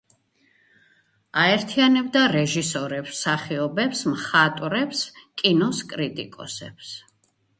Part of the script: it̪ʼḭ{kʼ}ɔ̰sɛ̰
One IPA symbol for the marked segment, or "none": kʼ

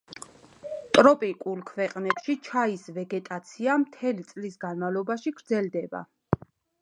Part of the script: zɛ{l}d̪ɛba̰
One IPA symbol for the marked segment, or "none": l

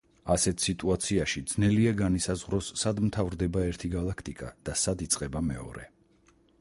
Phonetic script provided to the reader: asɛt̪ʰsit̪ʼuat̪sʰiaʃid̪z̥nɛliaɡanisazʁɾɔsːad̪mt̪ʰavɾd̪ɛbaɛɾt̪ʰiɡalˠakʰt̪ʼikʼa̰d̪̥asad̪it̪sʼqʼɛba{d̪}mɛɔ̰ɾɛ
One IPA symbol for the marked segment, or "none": none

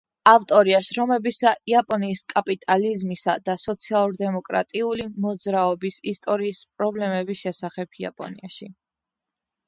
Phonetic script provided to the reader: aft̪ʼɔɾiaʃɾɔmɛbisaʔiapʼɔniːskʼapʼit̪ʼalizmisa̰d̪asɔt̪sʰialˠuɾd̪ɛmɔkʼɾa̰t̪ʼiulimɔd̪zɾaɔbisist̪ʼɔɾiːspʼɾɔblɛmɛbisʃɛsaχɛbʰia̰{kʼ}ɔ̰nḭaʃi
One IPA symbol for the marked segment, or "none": pʼ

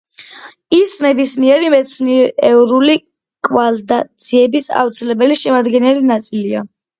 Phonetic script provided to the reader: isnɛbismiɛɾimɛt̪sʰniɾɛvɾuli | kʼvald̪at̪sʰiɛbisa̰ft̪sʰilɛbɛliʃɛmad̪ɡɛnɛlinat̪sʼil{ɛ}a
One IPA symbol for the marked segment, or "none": i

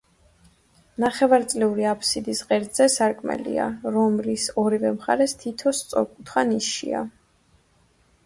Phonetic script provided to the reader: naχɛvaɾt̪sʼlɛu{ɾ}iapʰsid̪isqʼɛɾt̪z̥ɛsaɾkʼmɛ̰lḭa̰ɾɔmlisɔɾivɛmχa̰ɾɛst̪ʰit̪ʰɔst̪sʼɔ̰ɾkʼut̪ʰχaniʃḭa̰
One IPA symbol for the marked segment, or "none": ɾ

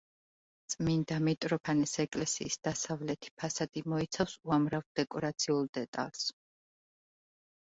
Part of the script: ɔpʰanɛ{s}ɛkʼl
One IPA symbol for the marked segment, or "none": s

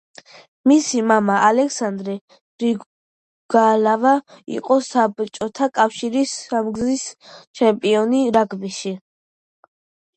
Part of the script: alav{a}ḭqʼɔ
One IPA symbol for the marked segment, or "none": a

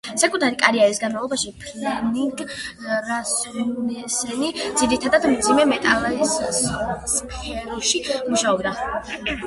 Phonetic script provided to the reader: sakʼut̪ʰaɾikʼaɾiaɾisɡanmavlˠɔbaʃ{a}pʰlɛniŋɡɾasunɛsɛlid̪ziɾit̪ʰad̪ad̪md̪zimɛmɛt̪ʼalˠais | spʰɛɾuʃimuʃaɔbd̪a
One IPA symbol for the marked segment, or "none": i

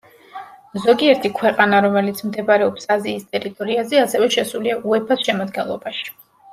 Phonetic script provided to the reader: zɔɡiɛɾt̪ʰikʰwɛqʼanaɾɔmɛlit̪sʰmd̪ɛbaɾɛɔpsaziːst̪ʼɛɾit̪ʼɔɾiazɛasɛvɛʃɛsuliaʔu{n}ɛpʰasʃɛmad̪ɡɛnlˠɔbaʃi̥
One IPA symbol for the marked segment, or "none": none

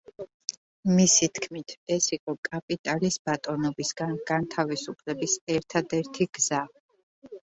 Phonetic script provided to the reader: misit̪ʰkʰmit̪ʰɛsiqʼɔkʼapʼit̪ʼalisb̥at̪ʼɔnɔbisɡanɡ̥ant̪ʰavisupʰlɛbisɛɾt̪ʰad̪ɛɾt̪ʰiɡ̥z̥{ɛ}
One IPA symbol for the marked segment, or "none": a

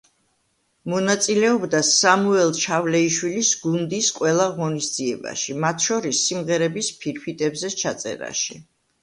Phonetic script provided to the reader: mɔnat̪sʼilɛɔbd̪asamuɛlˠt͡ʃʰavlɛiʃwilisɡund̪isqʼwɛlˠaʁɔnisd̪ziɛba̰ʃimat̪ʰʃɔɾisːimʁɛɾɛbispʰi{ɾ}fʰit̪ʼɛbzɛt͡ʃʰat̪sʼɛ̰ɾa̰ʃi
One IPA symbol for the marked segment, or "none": ɾ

